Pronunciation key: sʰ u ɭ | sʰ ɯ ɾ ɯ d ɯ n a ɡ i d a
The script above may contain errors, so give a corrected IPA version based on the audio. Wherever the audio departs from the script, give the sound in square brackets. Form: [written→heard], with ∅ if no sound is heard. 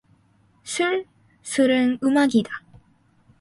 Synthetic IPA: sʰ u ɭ | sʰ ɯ ɾ ɯ [d→n] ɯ [n→m] a ɡ i d a